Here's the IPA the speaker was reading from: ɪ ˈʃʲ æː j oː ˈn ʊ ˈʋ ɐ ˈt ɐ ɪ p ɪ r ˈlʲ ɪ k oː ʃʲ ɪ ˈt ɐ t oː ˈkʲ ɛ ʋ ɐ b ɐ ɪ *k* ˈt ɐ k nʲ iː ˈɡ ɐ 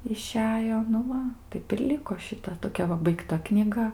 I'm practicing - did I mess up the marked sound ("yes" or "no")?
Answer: no